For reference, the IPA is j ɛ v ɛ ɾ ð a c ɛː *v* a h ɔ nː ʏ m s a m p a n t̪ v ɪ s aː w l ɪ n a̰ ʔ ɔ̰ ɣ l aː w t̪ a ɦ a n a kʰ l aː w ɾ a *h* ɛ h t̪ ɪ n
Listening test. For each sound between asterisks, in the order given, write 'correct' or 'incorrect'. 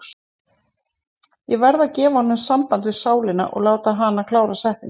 correct, incorrect

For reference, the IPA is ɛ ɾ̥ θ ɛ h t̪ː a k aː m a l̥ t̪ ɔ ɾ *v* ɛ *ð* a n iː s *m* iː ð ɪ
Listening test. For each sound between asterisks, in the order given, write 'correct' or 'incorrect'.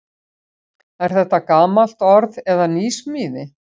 incorrect, correct, correct

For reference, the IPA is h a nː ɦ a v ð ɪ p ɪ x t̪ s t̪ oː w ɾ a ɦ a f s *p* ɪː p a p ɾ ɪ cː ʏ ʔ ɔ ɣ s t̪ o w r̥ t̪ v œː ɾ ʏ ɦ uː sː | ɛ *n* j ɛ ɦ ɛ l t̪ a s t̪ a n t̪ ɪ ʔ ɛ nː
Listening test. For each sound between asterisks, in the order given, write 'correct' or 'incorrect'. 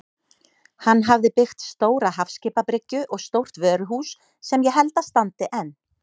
incorrect, incorrect

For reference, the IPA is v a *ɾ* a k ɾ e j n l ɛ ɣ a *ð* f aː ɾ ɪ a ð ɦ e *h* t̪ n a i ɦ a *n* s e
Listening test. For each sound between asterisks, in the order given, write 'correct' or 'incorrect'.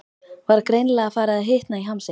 correct, incorrect, correct, incorrect

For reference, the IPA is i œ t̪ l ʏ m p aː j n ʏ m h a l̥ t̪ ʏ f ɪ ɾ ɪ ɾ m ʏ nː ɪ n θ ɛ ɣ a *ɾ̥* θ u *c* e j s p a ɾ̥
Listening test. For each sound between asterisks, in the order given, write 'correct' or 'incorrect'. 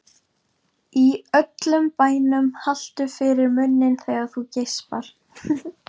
incorrect, correct

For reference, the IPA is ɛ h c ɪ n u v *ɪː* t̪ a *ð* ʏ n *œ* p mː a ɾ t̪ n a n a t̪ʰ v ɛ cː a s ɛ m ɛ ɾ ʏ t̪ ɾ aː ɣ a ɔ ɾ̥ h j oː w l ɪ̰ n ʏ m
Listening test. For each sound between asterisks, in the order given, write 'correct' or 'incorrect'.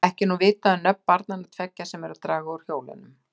correct, correct, correct

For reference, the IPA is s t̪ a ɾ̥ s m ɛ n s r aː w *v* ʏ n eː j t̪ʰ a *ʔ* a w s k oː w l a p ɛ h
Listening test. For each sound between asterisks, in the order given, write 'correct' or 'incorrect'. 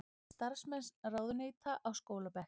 incorrect, correct

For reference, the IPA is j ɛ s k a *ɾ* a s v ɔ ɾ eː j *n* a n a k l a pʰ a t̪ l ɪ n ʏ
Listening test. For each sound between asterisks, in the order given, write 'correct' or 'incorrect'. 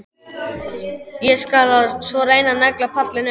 incorrect, correct

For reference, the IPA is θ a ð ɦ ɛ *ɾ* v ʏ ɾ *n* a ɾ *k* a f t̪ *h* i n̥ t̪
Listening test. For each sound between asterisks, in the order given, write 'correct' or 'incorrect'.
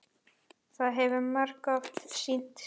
incorrect, incorrect, correct, incorrect

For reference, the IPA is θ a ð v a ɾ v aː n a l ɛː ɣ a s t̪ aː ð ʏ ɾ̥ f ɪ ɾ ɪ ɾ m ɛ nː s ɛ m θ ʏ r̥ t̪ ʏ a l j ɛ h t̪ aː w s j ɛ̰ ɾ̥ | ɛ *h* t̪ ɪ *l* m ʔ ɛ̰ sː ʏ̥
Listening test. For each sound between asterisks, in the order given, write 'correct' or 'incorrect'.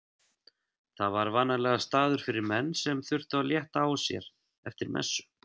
incorrect, incorrect

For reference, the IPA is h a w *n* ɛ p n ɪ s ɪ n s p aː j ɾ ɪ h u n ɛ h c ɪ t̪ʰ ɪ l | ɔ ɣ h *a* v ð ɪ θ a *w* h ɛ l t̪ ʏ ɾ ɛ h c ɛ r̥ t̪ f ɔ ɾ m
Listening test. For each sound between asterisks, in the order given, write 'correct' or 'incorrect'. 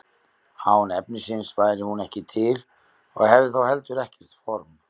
correct, incorrect, correct

